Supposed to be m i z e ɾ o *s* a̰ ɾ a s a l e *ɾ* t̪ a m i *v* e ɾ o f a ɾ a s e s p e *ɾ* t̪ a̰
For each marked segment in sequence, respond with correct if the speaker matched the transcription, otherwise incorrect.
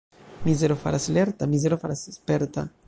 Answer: incorrect: f, correct, incorrect: z, correct

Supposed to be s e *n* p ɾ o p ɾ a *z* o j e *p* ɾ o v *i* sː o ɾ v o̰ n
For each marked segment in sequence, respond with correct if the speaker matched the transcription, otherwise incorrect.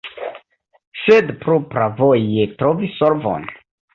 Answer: incorrect: d, incorrect: v, incorrect: t, correct

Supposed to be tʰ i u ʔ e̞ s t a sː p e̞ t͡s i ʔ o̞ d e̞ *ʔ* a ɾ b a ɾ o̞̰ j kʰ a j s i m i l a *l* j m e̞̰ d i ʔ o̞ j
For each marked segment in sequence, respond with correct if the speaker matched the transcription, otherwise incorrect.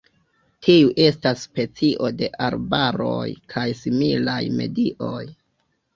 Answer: correct, incorrect: none

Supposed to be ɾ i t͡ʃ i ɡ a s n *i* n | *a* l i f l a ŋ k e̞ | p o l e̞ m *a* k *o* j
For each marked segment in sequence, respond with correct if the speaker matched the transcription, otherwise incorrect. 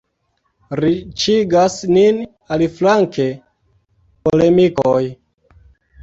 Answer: correct, correct, incorrect: i, correct

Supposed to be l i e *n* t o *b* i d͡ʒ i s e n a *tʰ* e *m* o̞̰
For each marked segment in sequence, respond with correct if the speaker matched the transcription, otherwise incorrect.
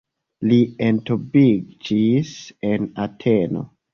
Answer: correct, correct, correct, incorrect: n

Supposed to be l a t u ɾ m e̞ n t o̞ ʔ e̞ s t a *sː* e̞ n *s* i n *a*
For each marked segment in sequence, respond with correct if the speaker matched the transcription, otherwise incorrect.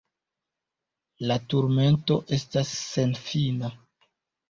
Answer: correct, incorrect: f, correct

